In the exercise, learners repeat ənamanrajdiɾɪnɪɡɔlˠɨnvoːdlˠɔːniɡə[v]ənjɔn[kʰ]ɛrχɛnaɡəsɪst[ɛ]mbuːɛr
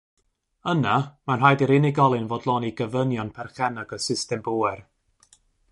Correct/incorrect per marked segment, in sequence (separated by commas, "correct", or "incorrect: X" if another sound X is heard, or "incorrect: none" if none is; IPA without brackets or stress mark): correct, incorrect: pʰ, correct